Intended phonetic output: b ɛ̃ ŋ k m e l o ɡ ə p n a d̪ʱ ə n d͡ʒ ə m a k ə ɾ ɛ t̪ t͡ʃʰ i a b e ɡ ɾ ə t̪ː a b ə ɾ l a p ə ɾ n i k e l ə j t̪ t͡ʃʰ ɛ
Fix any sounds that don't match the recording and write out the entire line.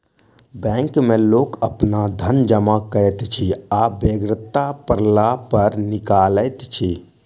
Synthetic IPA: b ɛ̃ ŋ k m e l o k ə p n a d̪ʱ ə n d͡ʒ ə m a k ə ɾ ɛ t̪ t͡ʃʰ i a b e ɡ ɾ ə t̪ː a p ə ɾ l a p ə ɾ n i k a l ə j t̪ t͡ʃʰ i